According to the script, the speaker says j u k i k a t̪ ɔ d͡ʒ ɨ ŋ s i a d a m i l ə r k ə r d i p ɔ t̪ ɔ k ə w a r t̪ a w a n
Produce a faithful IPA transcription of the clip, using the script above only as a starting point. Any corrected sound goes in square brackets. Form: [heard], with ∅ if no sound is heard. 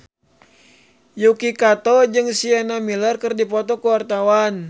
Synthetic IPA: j u k i k a t̪ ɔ d͡ʒ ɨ ŋ s i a [n] a m i l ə r k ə r d i p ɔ t̪ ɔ k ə w a r t̪ a w a n

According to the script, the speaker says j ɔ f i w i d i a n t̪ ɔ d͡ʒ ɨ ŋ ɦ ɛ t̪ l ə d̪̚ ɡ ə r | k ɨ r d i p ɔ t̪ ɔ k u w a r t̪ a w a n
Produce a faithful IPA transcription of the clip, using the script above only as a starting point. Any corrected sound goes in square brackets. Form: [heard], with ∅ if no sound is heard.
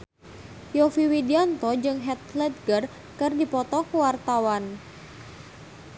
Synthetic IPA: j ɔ f i w i d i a n t̪ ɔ d͡ʒ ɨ ŋ ɦ ɛ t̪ l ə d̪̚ ɡ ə r | k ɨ r d i p ɔ t̪ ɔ k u w a r t̪ a w a n

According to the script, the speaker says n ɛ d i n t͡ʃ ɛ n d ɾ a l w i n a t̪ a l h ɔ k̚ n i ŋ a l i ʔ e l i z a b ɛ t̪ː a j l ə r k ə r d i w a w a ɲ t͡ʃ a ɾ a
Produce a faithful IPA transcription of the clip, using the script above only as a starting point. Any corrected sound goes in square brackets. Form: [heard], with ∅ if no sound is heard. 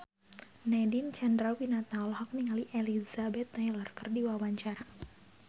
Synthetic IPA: n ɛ d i n t͡ʃ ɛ n d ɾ a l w i n a t̪ a l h ɔ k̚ n i ŋ a l i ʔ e l i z a b ɛ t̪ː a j l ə r k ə r d i w a w a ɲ t͡ʃ a ɾ a

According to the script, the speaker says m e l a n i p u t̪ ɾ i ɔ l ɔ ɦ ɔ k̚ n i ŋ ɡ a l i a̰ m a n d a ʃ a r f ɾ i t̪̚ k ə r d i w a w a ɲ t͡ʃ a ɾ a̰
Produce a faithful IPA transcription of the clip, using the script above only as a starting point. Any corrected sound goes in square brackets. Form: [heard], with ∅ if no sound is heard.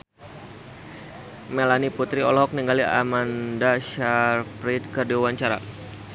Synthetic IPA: m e l a n i p u t̪ ɾ i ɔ l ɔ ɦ ɔ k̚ n i ŋ ɡ a l i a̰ m a n d a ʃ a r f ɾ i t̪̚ k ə r d i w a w a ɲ t͡ʃ a ɾ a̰

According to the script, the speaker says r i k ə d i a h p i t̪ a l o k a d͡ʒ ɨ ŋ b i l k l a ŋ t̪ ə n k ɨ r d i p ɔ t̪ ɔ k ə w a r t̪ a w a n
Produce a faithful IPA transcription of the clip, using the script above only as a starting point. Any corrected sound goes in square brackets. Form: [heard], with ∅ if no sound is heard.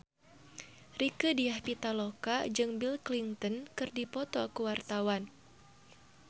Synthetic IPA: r i k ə d i a h p i t̪ a l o k a d͡ʒ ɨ ŋ b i l k l [i] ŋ t̪ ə n k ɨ r d i p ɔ t̪ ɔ k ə w a r t̪ a w a n

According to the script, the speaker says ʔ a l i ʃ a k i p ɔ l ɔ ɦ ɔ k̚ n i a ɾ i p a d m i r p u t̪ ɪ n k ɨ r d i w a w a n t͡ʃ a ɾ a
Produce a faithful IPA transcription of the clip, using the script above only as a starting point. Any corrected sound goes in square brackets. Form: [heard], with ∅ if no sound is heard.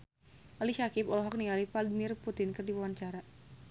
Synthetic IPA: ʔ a l i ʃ a k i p ɔ l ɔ ɦ ɔ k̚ n i a [l] i p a d m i r p u t̪ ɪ n k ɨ r d i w a w a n t͡ʃ a ɾ a

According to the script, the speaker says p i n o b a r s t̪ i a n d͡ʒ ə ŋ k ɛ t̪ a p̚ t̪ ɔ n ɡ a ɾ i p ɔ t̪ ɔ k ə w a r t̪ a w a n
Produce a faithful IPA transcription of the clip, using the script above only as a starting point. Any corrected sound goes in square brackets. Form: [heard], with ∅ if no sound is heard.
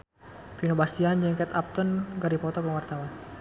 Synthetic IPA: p i n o b a [∅] s t̪ i a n d͡ʒ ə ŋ k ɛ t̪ a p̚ t̪ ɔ n ɡ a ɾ i p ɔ t̪ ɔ k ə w a r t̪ a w a n

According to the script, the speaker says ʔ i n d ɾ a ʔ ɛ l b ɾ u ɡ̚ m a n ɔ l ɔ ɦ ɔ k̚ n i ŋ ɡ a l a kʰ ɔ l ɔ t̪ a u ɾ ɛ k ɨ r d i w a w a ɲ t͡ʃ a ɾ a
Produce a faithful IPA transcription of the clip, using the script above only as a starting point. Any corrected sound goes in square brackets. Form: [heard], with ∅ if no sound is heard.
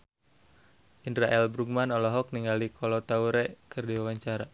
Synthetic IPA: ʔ i n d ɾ a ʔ ɛ l b ɾ u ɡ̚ m a n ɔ l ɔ ɦ ɔ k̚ n i ŋ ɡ a l [i] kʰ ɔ l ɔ t̪ a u ɾ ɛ k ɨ r d i w a w a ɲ t͡ʃ a ɾ a

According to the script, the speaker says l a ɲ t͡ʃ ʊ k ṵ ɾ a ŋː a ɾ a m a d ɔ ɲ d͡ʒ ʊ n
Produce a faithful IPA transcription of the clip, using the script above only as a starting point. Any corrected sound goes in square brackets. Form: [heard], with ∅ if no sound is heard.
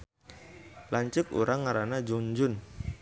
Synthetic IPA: l a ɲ t͡ʃ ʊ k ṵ ɾ a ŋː a ɾ a [n] a [d͡ʒ] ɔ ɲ d͡ʒ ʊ n

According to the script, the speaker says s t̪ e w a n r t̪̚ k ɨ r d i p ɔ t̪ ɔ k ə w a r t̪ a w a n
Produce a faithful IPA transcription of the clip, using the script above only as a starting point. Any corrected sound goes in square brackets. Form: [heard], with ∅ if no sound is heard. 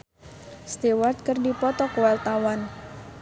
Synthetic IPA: s t̪ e w a [∅] r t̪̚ k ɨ r d i p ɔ t̪ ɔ k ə w a r t̪ a w a n

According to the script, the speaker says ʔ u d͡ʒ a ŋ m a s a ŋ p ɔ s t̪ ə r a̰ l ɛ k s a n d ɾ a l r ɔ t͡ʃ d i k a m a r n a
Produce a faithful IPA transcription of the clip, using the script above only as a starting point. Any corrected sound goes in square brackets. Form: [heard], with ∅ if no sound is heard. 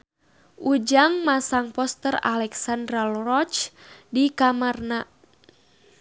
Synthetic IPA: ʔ u d͡ʒ a ŋ m a s a ŋ p ɔ s t̪ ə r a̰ l ɛ k s a n d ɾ a l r ɔ t͡ʃ d i k a m a r n a

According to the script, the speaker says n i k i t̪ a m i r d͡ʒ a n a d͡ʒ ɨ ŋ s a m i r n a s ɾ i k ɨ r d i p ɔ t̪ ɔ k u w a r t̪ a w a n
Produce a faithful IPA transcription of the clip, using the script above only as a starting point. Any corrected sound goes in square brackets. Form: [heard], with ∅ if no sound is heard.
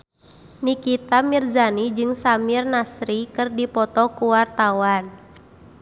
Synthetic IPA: n i k i t̪ a m i r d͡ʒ a n [i] d͡ʒ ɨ ŋ s a m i r n a s ɾ i k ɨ r d i p ɔ t̪ ɔ k u w a r t̪ a w a n

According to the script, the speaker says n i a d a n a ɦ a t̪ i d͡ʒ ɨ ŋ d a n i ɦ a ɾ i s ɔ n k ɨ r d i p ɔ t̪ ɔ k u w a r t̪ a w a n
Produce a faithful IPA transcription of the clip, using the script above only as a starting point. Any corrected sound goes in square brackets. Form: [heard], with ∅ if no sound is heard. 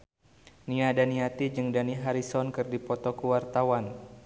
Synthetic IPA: n i a d a n [i] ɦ a t̪ i d͡ʒ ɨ ŋ d a n i ɦ a ɾ i s ɔ n k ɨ r d i p ɔ t̪ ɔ k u w a r t̪ a w a n

